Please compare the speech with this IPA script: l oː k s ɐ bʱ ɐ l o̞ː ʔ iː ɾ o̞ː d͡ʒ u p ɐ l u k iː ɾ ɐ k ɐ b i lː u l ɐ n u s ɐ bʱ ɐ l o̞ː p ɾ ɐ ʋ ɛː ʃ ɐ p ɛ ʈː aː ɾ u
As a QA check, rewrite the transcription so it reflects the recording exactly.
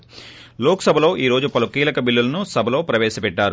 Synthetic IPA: l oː k s ɐ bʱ ɐ l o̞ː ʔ iː ɾ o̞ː d͡ʒ u p ɐ l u k iː l ɐ k ɐ b i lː u l ɐ n u s ɐ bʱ ɐ l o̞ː p ɾ ɐ ʋ ɛː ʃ ɐ p ɛ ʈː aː ɾ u